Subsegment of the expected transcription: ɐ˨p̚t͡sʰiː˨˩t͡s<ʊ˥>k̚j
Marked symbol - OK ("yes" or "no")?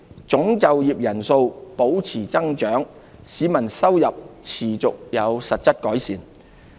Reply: no